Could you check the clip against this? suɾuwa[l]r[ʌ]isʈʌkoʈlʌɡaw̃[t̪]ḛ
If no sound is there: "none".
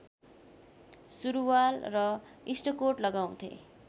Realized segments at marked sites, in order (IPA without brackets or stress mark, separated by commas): l, ʌ, t̪ʰ